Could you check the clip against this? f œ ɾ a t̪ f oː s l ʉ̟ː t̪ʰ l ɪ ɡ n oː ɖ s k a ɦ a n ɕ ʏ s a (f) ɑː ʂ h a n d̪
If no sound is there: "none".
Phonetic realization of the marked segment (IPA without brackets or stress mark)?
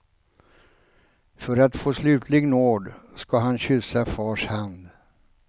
f